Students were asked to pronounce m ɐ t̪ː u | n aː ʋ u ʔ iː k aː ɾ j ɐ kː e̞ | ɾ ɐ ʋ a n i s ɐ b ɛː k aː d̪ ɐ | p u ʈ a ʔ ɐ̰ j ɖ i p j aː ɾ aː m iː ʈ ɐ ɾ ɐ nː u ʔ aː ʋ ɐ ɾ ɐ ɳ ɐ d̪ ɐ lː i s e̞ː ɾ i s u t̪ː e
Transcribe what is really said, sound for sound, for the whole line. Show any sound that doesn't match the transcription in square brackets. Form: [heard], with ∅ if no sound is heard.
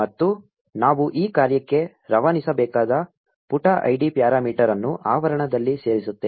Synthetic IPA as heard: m ɐ t̪ː u | n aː ʋ u ʔ iː k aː ɾ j ɐ kː e̞ | ɾ ɐ ʋ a n i s ɐ b ɛː k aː d̪ ɐ | p u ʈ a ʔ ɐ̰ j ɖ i p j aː ɾ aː m iː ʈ ɐ ɾ ɐ nː u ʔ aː ʋ ɐ ɾ ɐ ɳ ɐ d̪ ɐ lː i s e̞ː ɾ i s u t̪ː e